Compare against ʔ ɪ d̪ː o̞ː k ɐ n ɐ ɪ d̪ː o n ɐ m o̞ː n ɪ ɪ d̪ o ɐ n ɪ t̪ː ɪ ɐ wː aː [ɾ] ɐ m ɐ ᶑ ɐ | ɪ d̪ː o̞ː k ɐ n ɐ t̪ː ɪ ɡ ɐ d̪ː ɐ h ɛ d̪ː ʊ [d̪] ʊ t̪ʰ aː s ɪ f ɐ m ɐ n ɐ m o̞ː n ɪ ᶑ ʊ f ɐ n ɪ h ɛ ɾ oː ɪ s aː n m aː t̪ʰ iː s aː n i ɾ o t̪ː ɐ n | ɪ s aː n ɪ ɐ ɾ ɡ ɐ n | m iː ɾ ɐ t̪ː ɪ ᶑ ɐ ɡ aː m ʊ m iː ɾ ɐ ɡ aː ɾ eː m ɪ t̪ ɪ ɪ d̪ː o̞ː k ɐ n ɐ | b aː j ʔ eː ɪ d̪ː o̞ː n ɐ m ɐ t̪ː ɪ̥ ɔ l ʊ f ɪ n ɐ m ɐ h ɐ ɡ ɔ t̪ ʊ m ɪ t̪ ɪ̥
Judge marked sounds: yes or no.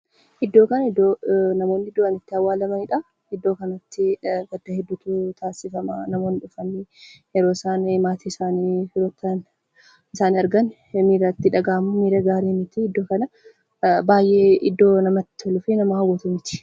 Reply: no, no

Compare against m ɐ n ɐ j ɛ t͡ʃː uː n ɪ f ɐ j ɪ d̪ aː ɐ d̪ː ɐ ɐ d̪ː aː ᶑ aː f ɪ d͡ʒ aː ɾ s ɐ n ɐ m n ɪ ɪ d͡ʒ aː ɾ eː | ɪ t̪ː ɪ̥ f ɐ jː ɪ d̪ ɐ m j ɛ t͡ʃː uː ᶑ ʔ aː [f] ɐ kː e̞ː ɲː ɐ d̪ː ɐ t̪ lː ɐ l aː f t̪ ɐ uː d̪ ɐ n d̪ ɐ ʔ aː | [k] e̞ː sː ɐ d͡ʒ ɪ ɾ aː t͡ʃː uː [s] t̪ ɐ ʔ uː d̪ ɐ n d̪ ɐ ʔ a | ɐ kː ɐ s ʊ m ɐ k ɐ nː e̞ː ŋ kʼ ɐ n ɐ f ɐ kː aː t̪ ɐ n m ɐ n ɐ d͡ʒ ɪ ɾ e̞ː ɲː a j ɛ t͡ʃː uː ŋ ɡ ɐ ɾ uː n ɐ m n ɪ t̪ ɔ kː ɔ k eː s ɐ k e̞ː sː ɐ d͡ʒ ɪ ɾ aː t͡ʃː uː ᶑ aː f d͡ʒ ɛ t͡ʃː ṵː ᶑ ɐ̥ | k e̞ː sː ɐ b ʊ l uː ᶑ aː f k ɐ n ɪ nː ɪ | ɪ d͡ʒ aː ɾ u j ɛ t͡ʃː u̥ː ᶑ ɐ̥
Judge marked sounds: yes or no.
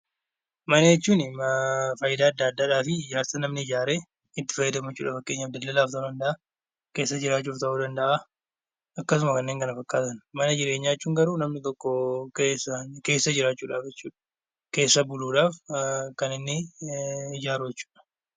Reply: yes, yes, no

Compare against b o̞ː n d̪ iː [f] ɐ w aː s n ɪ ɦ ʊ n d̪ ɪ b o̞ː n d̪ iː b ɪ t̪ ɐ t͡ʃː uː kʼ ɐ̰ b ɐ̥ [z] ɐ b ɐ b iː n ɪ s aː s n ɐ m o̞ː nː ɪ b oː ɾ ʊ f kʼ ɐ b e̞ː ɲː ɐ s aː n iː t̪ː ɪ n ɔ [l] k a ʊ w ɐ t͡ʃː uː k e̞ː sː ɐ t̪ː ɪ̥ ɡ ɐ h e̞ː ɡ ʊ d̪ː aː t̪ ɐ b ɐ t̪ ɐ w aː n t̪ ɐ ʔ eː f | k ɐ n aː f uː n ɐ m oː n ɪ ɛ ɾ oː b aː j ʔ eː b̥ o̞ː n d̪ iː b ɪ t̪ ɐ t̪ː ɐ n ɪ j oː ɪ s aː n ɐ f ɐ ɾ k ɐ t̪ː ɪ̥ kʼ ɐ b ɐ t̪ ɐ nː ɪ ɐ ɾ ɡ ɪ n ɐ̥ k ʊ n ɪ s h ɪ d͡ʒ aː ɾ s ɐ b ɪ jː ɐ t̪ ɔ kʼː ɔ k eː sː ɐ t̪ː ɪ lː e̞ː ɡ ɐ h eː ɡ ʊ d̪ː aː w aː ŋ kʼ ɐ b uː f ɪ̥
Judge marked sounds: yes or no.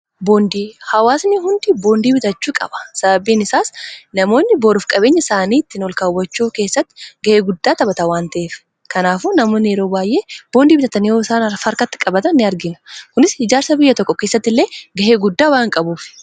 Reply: no, no, yes

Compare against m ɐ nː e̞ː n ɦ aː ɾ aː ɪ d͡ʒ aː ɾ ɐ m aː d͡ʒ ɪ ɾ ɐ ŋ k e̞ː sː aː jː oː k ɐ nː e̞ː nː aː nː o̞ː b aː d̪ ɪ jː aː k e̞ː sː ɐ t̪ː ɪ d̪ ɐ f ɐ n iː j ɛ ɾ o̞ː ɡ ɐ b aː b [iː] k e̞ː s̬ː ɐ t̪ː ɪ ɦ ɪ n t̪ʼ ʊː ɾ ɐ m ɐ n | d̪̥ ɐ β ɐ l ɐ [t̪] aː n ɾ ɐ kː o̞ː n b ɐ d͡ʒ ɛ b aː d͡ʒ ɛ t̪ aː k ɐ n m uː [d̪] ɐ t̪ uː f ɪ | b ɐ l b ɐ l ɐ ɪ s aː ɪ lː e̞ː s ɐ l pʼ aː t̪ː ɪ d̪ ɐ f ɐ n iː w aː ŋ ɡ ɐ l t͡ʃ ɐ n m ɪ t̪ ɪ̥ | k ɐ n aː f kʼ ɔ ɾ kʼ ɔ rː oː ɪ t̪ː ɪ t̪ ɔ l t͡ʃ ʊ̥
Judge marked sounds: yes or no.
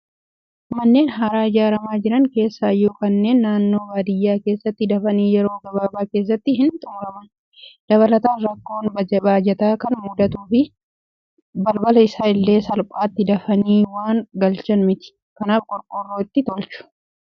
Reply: no, yes, yes

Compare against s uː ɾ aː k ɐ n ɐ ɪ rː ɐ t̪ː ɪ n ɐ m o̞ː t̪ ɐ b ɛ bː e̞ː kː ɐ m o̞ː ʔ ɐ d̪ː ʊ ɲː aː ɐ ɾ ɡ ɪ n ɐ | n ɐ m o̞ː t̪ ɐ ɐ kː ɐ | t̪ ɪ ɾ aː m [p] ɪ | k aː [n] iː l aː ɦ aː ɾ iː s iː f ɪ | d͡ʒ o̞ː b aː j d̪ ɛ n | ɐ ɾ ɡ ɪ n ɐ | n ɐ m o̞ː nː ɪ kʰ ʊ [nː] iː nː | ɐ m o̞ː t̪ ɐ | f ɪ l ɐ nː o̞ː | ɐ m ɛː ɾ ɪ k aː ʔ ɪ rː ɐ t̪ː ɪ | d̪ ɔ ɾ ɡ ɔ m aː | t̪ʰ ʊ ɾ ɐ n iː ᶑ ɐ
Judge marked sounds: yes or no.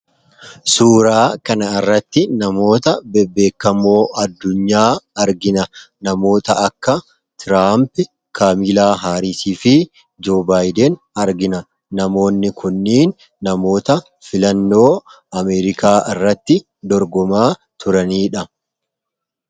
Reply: yes, no, yes

